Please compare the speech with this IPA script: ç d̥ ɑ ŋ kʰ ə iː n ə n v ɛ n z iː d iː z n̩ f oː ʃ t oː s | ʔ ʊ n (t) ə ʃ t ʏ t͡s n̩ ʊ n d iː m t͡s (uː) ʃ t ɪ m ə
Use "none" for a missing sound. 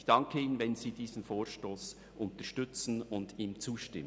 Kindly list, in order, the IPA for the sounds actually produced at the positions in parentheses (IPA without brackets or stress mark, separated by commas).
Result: t, uː